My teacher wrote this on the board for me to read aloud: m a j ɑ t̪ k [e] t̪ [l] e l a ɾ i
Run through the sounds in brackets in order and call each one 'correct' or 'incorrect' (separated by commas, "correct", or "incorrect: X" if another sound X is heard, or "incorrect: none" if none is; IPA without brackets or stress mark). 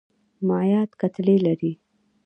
incorrect: a, correct